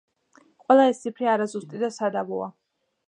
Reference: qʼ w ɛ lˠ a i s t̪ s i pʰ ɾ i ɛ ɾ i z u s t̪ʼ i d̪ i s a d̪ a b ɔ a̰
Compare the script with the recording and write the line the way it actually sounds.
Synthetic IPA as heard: qʼ w ɛ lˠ a ɛ s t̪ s i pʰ ɾ i a ɾ a z u s t̪ʼ i d̪ a s a d̪ a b ɔ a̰